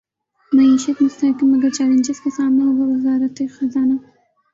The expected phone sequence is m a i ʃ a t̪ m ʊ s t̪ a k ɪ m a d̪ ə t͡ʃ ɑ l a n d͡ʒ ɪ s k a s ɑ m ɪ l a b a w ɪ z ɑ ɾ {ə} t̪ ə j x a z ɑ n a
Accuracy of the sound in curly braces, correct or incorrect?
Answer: incorrect